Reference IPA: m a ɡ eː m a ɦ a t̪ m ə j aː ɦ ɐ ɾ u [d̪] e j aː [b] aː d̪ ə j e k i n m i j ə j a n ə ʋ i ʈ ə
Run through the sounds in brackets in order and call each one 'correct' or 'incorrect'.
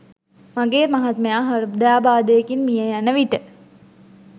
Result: correct, correct

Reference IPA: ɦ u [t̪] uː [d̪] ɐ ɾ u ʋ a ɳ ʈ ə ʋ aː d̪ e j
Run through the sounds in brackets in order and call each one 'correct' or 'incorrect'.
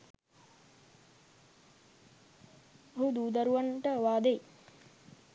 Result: incorrect: d̪, correct

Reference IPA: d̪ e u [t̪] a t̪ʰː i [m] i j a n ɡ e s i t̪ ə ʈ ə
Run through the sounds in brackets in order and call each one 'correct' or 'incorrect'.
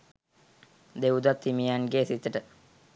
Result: incorrect: d̪, correct

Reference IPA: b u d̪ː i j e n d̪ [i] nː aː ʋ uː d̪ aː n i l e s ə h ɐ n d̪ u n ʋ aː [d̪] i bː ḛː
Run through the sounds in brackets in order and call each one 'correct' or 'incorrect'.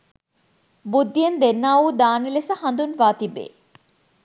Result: incorrect: e, incorrect: t̪

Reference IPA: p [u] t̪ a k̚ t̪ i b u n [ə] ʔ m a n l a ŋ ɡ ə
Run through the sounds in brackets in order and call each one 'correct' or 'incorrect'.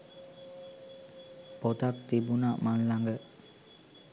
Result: incorrect: o, incorrect: a

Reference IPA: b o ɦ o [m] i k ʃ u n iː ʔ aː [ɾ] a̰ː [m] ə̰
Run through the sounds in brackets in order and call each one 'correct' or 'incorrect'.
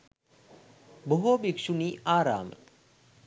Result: incorrect: b, correct, correct

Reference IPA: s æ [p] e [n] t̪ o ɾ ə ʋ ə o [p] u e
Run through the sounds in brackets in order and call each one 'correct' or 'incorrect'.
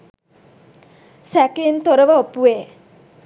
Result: incorrect: k, correct, correct

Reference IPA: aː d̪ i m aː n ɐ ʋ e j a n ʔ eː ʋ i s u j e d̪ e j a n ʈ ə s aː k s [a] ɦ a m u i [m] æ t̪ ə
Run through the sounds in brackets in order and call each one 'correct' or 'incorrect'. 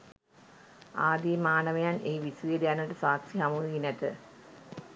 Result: incorrect: i, incorrect: n

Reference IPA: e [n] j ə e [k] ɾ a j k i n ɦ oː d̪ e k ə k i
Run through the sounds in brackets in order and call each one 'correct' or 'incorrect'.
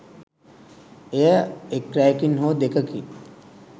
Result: incorrect: none, correct

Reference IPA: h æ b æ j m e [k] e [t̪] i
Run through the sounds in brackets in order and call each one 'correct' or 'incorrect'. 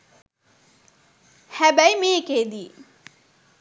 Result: correct, incorrect: d̪

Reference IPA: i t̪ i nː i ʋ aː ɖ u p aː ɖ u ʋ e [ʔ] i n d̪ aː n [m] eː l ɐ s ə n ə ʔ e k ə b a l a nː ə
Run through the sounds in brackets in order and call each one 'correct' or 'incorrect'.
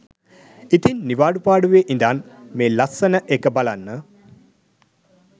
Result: correct, correct

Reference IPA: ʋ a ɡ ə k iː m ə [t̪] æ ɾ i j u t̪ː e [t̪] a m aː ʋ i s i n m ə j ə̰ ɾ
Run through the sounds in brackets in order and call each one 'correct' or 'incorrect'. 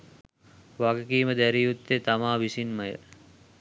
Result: incorrect: d̪, correct

